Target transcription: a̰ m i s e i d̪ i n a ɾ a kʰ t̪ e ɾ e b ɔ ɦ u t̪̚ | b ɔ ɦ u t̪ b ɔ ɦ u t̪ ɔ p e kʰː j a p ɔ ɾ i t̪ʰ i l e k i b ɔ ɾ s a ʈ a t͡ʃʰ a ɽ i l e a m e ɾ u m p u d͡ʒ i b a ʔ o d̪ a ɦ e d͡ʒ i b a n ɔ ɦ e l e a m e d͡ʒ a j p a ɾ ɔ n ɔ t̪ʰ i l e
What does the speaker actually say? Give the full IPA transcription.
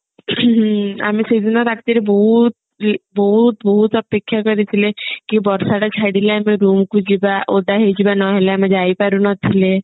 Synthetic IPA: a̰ m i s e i d̪ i n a ɾ a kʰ t̪ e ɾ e b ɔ ɦ u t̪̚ | b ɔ ɦ u t̪ b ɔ ɦ u t̪ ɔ p e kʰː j a k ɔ ɾ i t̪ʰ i l e k i b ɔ ɾ s a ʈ a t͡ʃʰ a ɽ i l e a m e ɾ u m k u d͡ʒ i b a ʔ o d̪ a ɦ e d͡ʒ i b a n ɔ ɦ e l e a m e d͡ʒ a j p a ɾ u n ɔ t̪ʰ i l e